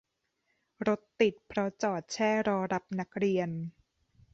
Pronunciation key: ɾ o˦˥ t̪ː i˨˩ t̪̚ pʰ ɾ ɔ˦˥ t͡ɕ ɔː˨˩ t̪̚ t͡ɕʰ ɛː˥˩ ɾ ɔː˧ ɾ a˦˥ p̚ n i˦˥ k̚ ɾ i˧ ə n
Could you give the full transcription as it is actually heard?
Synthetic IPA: ɾ o˦˥ t̪ː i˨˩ t̪̚ pʰ ɾ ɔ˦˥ t͡ɕ ɔː˨˩ t̪̚ t͡ɕʰ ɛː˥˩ ɾ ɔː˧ ɾ a˦˥ p̚ n a˦˥ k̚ ɾ i˧ ə n

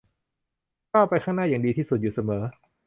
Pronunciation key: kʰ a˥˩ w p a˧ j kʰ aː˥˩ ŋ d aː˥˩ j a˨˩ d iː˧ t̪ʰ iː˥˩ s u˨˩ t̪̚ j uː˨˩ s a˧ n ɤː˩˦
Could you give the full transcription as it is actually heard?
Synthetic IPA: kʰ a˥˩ w p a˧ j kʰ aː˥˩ ŋ n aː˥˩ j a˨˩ d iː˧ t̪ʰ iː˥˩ s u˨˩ t̪̚ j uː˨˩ s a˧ m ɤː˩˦

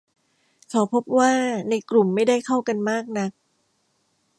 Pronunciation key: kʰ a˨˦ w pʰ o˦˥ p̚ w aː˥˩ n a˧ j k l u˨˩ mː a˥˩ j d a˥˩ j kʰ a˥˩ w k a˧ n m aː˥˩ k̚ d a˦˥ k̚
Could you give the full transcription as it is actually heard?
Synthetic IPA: kʰ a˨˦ w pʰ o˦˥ p̚ w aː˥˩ n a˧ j k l u˨˩ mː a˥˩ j d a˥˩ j kʰ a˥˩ w k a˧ n m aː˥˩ k̚ n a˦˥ k̚

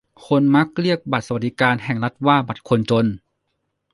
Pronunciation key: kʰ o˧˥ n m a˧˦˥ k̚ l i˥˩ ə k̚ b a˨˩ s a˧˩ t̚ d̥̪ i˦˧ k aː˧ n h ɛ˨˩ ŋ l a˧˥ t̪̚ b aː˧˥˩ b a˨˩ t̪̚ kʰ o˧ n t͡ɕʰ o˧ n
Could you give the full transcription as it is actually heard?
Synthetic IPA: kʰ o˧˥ n m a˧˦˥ k̚ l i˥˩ ə k̚ b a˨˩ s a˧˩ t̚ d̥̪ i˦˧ k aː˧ n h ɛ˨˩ ŋ l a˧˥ t̪̚ w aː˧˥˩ b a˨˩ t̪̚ kʰ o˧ n t͡ɕ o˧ n

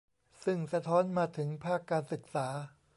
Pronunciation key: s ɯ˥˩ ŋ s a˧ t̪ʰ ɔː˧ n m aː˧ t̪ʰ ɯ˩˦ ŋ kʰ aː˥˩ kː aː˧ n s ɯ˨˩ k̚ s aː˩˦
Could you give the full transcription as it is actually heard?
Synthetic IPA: s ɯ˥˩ ŋ s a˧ t̪ʰ ɔː˦˥ n m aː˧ t̪ʰ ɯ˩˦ ŋ pʰ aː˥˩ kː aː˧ n s ɯ˨˩ k̚ s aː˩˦

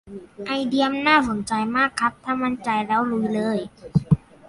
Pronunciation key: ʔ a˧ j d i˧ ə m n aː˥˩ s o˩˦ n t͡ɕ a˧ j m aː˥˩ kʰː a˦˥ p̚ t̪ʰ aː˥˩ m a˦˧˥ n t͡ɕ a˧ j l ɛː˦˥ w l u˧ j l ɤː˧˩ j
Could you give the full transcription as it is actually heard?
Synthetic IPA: ʔ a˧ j d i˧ ə m n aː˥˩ s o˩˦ n t͡ɕ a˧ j m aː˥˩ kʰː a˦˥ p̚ t̪ʰ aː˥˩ m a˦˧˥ n t͡ɕ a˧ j l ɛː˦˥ w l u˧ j l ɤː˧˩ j

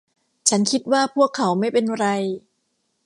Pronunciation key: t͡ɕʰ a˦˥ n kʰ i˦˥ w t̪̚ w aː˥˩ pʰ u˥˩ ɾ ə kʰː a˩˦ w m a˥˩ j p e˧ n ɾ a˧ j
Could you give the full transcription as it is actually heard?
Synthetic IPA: t͡ɕʰ a˦˥ n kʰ i˦˥ t̪̚ w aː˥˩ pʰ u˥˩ ə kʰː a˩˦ w m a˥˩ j p e˧ n ɾ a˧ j

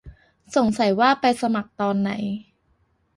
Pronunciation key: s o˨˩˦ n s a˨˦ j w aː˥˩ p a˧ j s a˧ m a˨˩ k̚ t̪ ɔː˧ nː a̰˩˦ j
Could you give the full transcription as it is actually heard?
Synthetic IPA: s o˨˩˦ ŋ s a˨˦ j w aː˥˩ p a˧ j s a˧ m a˨˩ k̚ t̪ ɔː˧ nː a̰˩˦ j

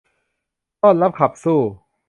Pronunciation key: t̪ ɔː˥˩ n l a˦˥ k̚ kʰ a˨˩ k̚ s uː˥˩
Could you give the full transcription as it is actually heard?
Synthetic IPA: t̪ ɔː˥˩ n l a˦˥ p̚ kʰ a˨˩ p̚ s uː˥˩

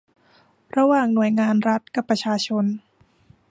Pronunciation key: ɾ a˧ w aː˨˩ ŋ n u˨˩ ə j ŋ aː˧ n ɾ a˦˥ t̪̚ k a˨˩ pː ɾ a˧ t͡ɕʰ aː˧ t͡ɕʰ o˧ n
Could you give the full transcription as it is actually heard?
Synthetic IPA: ɾ a˧ w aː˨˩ ŋ n u˨˩ ə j ŋ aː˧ n ɾ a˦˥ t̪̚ k a˨˩ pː ɾ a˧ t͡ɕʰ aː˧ t͡ɕʰ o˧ n

